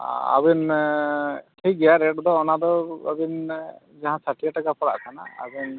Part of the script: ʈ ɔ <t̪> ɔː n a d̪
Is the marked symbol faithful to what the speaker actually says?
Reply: no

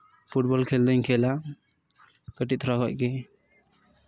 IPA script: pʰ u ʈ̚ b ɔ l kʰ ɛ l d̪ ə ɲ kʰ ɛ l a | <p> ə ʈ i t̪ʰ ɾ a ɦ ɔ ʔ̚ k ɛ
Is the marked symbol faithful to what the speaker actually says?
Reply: no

